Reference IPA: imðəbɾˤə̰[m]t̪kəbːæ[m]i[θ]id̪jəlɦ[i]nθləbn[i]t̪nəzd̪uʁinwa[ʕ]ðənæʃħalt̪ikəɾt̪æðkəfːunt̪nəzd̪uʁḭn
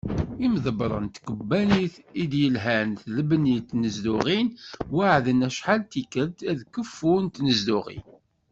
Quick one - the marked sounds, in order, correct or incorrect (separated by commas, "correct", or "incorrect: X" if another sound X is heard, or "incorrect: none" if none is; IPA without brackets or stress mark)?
incorrect: n, incorrect: n, correct, incorrect: æ, correct, correct